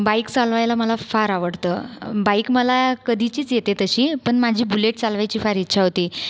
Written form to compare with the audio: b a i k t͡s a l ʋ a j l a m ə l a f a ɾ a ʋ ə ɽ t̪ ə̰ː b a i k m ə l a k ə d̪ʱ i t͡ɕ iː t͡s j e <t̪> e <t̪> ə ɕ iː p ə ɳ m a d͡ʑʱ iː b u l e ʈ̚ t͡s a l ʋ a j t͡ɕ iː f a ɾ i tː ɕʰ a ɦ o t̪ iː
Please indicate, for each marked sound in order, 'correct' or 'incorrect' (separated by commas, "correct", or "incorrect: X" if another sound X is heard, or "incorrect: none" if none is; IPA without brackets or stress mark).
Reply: correct, correct